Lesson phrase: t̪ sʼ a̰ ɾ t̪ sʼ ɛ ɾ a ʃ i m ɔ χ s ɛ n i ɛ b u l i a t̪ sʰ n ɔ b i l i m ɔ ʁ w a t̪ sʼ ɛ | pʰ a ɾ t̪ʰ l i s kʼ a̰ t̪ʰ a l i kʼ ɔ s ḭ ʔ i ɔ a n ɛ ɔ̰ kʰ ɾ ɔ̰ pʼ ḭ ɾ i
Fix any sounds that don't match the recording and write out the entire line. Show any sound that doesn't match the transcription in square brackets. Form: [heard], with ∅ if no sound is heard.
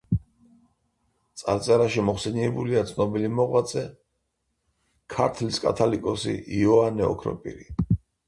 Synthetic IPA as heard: t̪ sʼ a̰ ɾ t̪ sʼ ɛ ɾ a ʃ i m ɔ χ s ɛ n i ɛ b u l i a t̪ sʰ n ɔ b i l i m ɔ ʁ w a t̪ sʼ ɛ | [kʰ] a ɾ t̪ʰ l i s kʼ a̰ t̪ʰ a l i kʼ ɔ s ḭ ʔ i ɔ a n ɛ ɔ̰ kʰ ɾ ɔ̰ pʼ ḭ ɾ i

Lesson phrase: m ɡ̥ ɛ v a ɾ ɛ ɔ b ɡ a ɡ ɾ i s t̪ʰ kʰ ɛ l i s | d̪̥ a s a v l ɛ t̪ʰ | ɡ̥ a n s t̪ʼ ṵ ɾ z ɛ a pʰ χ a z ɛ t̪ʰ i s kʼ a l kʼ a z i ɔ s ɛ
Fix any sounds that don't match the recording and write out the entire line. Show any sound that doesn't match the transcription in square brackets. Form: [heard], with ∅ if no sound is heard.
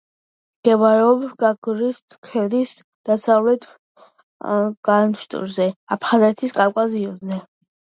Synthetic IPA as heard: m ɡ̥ ɛ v a ɾ ɛ ɔ b ɡ a ɡ ɾ i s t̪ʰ kʰ ɛ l i s | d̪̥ a s a v l ɛ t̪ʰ | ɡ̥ a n [ʃ] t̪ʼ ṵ ɾ z ɛ a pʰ χ a z ɛ t̪ʰ i s kʼ a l kʼ a z i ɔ [z] ɛ

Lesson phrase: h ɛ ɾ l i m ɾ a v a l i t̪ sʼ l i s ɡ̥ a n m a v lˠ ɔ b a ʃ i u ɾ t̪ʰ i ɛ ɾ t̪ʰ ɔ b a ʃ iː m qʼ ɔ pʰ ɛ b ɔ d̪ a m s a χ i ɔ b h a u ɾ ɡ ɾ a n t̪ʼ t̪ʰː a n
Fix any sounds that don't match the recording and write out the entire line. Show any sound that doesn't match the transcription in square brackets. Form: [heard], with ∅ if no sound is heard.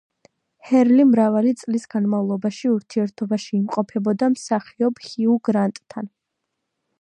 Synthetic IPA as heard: h ɛ ɾ l i m ɾ a v a l i t̪ sʼ l i s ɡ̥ a n m a v lˠ ɔ b a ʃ i u ɾ t̪ʰ i ɛ ɾ t̪ʰ ɔ b a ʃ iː m qʼ ɔ pʰ ɛ b ɔ d̪ a m s a χ i ɔ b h [i] u [∅] ɡ ɾ a n t̪ʼ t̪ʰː a n

